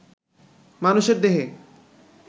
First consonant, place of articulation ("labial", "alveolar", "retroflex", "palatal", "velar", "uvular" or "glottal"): labial